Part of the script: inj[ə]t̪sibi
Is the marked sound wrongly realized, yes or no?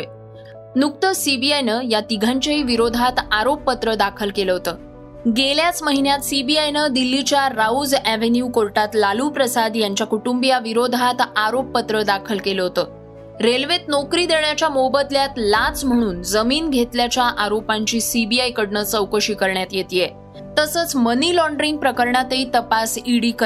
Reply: yes